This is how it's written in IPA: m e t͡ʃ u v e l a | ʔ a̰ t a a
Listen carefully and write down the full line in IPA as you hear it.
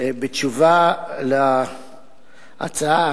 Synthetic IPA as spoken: b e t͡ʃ u v a l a | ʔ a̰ t͡s a a